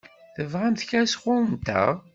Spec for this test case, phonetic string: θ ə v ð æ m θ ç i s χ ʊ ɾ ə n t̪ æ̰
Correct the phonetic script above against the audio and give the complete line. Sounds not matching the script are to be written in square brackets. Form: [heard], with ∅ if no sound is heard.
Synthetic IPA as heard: θ ə v [ʁ] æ m θ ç [æ] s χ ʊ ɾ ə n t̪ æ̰